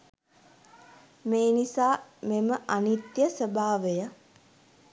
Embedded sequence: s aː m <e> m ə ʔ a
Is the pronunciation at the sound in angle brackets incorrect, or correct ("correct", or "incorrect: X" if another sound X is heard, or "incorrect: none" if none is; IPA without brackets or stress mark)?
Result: correct